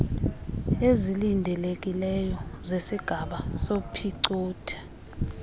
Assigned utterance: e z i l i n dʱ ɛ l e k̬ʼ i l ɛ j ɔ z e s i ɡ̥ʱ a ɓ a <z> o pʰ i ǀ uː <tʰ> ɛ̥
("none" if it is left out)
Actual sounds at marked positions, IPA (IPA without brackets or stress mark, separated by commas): s, tʰ